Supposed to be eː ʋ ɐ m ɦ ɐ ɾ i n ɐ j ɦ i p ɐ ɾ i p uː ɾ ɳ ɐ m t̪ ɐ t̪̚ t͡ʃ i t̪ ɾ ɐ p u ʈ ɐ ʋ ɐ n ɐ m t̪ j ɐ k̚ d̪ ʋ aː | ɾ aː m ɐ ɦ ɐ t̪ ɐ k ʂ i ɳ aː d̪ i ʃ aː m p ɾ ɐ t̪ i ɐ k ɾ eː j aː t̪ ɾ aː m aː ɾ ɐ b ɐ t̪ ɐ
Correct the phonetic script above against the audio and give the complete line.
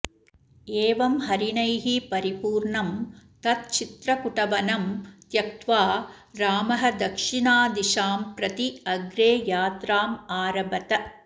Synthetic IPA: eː ʋ ɐ m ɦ ɐ ɾ i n ɐ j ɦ i p ɐ ɾ i p uː ɾ ɳ ɐ m t̪ ɐ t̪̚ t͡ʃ i t̪ ɾ ɐ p u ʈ ɐ ʋ ɐ n ɐ m t̪ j ɐ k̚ t̪ ʋ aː | ɾ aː m ɐ ɦ ɐ d̪ ɐ k ʂ i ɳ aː d̪ i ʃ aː m p ɾ ɐ t̪ i ɐ ɡ ɾ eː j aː t̪ ɾ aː m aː ɾ ɐ b ɐ t̪ ɐ

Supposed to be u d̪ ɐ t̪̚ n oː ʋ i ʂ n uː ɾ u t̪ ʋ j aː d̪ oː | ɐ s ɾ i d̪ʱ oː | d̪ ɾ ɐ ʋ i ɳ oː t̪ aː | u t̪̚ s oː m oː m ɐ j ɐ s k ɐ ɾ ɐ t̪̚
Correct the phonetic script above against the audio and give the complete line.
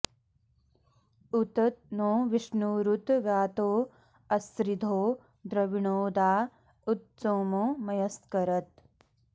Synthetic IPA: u t̪ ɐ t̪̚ n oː ʋ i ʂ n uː ɾ u t̪ ʋ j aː t̪ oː | ɐ s ɾ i d̪ʱ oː | d̪ ɾ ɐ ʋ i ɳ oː d̪ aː | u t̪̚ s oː m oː m ɐ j ɐ s k ɐ ɾ ɐ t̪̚

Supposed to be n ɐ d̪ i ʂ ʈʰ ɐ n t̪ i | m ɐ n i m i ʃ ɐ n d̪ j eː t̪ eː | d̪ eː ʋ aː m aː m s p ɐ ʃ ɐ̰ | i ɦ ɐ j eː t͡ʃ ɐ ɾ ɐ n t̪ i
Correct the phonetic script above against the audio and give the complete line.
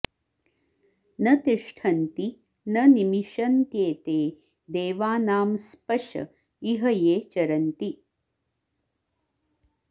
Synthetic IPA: n ɐ t̪ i ʂ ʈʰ ɐ n t̪ i | n ɐ n i m i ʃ ɐ n t̪ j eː t̪ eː | d̪ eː ʋ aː n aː m s p ɐ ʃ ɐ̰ | i ɦ ɐ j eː t͡ʃ ɐ ɾ ɐ n t̪ i

